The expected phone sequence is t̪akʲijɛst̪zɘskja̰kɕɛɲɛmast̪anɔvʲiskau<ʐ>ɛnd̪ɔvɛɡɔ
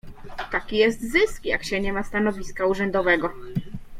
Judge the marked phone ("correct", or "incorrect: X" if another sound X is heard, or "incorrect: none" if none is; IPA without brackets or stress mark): correct